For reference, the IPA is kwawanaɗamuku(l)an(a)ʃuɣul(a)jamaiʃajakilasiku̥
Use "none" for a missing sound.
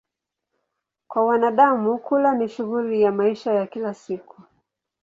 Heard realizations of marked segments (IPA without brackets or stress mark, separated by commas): l, i, i